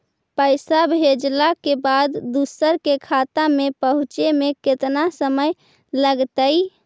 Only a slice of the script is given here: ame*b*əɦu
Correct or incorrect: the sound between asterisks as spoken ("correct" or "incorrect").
incorrect